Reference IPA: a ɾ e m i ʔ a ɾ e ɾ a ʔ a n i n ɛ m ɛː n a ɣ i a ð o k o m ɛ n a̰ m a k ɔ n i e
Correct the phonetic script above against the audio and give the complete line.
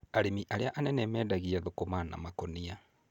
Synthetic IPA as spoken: a ɾ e m i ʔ a ɾ e a ʔ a n ɛ n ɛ m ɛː d a ɣ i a ð o k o m a n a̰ m a k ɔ n i a